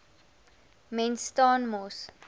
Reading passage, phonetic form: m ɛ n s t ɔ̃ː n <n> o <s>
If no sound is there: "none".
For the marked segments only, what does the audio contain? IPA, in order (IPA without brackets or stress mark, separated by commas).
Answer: m, s